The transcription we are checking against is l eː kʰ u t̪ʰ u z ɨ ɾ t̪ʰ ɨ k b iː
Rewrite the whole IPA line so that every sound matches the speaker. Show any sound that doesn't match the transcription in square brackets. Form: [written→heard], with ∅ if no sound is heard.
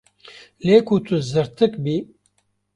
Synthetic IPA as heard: l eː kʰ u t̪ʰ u z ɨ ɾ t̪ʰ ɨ k b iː

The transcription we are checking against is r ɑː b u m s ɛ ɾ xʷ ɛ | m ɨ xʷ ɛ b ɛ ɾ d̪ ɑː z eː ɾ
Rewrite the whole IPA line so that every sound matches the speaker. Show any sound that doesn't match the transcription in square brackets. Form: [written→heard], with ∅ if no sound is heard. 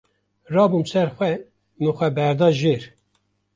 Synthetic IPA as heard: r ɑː b u m s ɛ ɾ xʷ ɛ | m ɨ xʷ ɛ b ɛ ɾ d̪ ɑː [z→ʒ] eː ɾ

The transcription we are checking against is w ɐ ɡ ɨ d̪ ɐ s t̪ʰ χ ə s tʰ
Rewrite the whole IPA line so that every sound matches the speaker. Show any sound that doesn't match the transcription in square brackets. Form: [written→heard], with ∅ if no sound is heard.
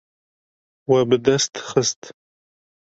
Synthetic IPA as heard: w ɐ [ɡ→b] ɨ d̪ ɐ s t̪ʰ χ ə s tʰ

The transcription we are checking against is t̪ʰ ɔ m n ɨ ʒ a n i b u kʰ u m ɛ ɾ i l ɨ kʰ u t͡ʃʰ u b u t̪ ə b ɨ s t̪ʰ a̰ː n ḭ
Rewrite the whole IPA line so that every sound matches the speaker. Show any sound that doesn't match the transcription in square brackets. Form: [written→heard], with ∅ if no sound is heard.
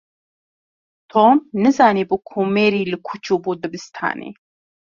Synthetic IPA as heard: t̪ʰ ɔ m n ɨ [ʒ→z] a n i b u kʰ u m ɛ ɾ i l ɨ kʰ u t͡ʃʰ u b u [t̪→d̪] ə b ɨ s t̪ʰ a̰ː n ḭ

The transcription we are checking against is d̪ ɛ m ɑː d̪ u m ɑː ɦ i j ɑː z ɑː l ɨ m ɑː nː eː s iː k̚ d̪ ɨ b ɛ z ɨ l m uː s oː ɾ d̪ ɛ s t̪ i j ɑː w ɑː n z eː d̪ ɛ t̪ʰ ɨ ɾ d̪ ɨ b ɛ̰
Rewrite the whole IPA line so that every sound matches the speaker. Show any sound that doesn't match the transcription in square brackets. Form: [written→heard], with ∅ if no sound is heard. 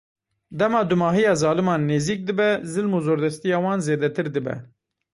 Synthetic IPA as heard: d̪ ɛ m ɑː d̪ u m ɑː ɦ i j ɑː z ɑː l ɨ m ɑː nː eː [s→z] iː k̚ d̪ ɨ b ɛ z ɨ l m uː [s→z] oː ɾ d̪ ɛ s t̪ i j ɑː w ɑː n z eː d̪ ɛ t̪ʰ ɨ ɾ d̪ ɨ b ɛ̰

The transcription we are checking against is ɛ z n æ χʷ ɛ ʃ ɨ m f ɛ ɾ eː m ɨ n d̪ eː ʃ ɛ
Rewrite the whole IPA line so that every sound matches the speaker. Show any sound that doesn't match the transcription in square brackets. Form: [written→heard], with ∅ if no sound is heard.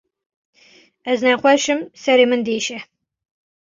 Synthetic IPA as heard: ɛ z n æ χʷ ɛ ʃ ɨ m [f→s] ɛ ɾ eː m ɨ n d̪ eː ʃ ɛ

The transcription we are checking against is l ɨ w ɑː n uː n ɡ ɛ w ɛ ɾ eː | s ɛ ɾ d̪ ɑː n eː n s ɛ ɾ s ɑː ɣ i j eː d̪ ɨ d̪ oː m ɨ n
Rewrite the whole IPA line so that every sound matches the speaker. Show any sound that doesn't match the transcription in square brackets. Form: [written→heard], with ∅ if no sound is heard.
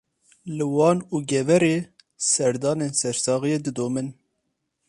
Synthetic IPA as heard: l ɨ w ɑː n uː [n→∅] ɡ ɛ [w→v] ɛ ɾ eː | s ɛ ɾ d̪ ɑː n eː n s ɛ ɾ s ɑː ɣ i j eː d̪ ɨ d̪ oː m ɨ n

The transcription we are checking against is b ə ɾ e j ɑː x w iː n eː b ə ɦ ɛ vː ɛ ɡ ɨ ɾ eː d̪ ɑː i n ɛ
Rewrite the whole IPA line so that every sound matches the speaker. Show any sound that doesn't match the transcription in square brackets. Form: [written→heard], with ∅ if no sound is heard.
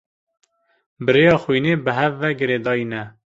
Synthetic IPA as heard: b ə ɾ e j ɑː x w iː n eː b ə ɦ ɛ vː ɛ ɡ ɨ ɾ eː d̪ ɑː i n ɛ

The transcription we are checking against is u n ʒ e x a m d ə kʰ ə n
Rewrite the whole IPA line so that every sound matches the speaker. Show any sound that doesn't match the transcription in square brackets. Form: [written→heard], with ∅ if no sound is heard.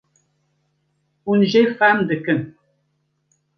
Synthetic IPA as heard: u n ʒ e [x→f] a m d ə [kʰ→k] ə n

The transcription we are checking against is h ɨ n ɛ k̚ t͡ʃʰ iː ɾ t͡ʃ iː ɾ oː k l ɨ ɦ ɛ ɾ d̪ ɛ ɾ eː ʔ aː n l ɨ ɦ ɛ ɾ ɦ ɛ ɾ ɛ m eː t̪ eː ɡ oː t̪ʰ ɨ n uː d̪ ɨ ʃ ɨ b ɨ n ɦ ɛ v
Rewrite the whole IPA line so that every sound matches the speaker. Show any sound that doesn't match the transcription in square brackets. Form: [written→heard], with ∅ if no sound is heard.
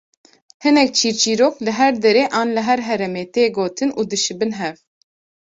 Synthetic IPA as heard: h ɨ n ɛ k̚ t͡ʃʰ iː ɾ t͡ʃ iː ɾ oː k l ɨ ɦ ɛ ɾ d̪ ɛ ɾ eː ʔ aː n l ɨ ɦ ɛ ɾ ɦ ɛ ɾ ɛ m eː t̪ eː ɡ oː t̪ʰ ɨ n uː d̪ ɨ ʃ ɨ b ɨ n ɦ ɛ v

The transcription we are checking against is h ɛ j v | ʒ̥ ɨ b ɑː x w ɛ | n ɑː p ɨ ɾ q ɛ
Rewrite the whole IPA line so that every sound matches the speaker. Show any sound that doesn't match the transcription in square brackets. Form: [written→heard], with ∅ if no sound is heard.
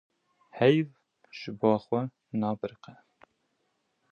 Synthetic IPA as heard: h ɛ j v | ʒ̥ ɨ b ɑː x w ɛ | n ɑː [p→b] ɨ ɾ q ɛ

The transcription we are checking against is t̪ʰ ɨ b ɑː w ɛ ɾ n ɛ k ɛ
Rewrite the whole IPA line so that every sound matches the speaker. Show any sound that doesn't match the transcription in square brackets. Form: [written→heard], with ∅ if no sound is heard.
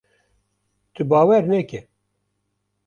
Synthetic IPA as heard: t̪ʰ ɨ b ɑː w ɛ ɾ n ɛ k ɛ

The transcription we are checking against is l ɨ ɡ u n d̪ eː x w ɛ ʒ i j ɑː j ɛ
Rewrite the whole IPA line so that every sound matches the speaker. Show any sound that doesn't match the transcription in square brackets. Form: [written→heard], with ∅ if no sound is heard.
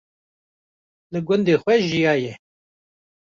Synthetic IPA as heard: l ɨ ɡ [u→ʊ] n d̪ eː x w ɛ ʒ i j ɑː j ɛ

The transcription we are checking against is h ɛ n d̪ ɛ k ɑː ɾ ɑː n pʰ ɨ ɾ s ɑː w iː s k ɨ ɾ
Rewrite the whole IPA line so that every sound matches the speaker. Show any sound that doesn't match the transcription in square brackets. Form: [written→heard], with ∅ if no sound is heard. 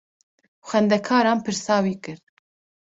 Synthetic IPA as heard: [h→x] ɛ n d̪ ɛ [k→kʰ] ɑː ɾ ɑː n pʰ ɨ ɾ s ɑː w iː [s→∅] k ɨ ɾ

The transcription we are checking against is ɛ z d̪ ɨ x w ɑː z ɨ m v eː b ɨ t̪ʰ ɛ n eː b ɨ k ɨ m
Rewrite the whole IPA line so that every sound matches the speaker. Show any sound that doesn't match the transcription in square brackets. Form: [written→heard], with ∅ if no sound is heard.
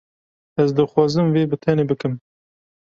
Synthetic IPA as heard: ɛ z d̪ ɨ x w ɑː z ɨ m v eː b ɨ t̪ʰ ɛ n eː b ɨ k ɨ m

